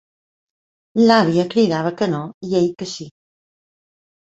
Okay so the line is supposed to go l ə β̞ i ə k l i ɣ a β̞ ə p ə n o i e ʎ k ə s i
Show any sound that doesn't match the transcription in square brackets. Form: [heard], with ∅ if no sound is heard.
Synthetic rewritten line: l [a] β̞ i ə k [ɾ] i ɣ a β̞ ə [k] ə n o i e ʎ k ə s i